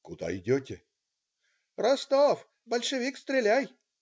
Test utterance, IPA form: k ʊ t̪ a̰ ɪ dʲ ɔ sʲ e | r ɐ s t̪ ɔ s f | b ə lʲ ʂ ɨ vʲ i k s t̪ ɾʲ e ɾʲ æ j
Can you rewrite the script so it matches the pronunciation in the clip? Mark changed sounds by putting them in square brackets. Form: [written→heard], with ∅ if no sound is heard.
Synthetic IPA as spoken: k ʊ [t̪→d̪] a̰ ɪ dʲ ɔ [sʲ→tʲ] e | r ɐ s t̪ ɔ [s→∅] f | b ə lʲ ʂ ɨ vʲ i k s t̪ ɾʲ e [ɾʲ→lʲ] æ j